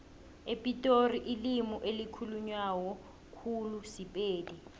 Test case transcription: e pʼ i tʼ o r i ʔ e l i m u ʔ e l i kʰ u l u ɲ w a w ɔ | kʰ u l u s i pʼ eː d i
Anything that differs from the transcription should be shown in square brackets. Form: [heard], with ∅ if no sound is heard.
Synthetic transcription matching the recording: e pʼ i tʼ o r i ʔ [i] l i m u ʔ e l i kʰ u l u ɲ w a w ɔ | kʰ u l u s i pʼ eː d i